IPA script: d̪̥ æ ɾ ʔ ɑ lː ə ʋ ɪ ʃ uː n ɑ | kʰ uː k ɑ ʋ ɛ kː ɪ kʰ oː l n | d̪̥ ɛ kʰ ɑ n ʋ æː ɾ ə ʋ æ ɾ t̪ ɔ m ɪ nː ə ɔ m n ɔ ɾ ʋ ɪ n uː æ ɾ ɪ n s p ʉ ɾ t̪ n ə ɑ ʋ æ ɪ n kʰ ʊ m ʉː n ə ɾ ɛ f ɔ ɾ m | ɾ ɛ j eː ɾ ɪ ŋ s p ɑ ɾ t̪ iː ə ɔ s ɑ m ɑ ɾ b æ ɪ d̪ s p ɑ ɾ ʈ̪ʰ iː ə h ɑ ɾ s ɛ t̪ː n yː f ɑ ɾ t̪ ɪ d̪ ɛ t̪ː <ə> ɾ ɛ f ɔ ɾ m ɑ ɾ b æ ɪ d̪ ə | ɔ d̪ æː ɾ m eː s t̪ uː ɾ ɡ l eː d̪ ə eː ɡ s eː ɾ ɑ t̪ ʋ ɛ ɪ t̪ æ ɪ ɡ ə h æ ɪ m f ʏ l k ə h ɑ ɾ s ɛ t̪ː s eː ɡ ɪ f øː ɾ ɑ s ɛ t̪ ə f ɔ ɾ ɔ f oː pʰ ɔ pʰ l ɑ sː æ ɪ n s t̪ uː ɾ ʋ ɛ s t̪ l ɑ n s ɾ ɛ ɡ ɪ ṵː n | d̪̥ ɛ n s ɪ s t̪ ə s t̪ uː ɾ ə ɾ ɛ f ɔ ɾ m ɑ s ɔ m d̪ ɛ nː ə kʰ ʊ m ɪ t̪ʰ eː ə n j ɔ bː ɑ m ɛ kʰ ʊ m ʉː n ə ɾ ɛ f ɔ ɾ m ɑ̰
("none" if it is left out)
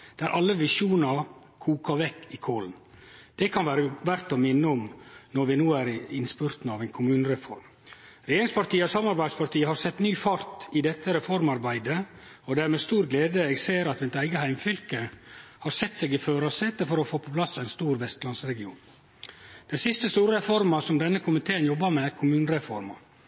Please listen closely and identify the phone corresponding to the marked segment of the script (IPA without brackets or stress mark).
ə